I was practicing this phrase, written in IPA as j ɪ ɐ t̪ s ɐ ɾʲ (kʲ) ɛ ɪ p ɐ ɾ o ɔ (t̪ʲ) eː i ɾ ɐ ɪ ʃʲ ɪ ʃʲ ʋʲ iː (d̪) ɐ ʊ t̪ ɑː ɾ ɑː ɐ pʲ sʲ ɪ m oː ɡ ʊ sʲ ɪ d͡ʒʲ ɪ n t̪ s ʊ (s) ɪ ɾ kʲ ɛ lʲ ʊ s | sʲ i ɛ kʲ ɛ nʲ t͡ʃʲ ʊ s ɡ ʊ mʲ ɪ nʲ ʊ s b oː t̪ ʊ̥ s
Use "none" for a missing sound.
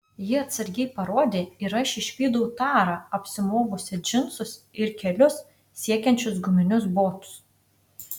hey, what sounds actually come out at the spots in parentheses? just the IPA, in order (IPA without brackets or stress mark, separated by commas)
ɡʲ, d̪ʲ, d̪, s